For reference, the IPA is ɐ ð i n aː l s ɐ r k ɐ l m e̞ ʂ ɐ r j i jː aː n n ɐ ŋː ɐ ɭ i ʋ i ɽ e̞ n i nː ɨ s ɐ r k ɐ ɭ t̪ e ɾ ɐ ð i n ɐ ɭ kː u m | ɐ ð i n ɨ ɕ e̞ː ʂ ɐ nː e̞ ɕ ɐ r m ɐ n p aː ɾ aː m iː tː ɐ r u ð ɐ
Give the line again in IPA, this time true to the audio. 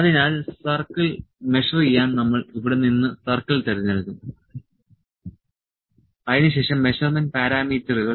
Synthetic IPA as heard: ɐ ð i n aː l s ɐ r k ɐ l m e̞ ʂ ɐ r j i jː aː n n ɐ mː ɐ ɭ i ʋ i ɽ e̞ n i nː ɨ s ɐ r k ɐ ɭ t̪ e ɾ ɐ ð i n ɐ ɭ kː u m | ɐ ð i n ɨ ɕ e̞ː ʂ ɐ mː e̞ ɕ ɐ r m ɐ n p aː ɾ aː m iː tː ɐ r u ɣ ɐ